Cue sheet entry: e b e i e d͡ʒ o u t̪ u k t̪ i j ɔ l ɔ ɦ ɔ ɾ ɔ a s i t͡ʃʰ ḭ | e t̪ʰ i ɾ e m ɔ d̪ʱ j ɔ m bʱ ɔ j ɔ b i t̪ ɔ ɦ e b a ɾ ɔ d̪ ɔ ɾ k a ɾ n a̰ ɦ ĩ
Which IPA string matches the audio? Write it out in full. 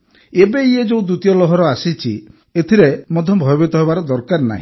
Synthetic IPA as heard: e b e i e d͡ʒ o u d̪ u t̪ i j ɔ l ɔ ɦ ɔ ɾ ɔ a s i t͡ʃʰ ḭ | e t̪ʰ i ɾ e m ɔ d̪ʱ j ɔ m bʱ ɔ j ɔ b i t̪ ɔ ɦ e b a ɾ ɔ d̪ ɔ ɾ k a ɾ n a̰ ɦ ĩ